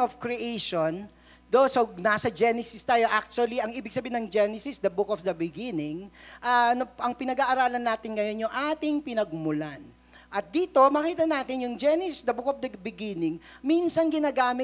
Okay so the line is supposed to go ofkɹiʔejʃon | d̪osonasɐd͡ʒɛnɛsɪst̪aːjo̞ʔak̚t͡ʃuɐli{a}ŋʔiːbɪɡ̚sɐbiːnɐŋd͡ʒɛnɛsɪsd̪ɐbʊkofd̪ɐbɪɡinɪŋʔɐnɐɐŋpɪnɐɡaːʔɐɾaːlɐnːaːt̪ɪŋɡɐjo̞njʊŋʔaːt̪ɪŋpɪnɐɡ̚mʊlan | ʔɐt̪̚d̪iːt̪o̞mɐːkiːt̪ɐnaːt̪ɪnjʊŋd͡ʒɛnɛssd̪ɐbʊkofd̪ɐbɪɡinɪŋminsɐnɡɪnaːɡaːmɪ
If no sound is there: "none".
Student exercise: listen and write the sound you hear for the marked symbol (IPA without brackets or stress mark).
ɐ